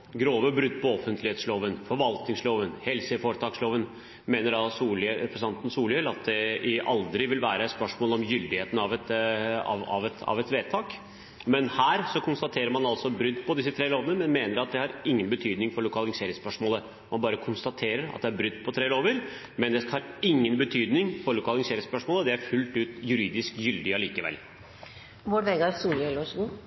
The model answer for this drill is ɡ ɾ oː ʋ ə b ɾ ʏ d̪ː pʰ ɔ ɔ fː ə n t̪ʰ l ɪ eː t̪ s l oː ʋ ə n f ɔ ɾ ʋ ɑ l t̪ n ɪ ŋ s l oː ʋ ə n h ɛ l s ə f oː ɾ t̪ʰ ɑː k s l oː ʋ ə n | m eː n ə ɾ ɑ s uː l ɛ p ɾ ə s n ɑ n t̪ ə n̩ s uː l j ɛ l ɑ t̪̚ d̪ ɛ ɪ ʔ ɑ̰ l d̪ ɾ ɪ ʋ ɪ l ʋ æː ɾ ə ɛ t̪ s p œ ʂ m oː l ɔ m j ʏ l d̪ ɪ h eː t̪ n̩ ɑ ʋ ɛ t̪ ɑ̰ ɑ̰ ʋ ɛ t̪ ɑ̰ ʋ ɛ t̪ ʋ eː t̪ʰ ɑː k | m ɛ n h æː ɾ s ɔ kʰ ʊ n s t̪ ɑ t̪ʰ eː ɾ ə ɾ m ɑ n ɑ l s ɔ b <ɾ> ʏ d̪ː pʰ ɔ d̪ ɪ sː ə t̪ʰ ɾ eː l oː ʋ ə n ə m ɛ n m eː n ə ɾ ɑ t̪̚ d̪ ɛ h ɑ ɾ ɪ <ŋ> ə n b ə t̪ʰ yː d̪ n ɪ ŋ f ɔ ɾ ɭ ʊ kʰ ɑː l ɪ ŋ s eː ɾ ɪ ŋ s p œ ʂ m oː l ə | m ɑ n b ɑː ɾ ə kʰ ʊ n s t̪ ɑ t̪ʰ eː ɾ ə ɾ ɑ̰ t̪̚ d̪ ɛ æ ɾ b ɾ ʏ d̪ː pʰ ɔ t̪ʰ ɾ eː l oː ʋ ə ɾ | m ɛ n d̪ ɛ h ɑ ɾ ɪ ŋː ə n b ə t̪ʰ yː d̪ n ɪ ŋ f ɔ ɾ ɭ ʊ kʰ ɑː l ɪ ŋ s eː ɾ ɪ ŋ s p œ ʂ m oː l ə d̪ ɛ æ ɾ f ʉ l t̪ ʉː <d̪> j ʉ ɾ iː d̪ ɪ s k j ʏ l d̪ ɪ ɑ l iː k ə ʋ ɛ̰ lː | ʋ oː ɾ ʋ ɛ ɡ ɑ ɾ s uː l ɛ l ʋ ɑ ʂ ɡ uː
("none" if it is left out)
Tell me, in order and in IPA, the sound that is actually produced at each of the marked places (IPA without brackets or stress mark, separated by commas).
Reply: ɾ, ŋː, t̪